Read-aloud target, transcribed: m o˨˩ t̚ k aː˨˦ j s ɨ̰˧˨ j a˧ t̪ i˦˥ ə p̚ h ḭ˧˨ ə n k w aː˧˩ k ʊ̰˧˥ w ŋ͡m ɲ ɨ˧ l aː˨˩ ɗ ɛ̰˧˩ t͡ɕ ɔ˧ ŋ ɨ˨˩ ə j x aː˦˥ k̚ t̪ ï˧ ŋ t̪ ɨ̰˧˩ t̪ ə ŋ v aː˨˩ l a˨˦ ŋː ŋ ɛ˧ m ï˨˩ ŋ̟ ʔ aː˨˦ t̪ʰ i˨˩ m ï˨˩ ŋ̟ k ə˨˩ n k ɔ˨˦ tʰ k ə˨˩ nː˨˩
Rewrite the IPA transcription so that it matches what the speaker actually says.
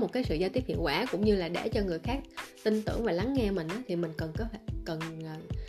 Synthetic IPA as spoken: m o˨˩ t̚ k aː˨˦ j s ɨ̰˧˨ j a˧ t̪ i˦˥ ə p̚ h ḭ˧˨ ə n k w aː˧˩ k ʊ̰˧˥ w ŋ͡m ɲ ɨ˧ l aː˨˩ ɗ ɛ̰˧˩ t͡ɕ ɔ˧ ŋ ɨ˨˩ ə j x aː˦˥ k̚ t̪ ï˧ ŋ t̪ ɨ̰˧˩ ə ŋ v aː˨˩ l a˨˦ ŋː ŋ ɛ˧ m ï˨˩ ŋ̟ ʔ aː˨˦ t̪ʰ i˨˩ m ï˨˩ ŋ̟ k ə˨˩ n k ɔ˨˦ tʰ k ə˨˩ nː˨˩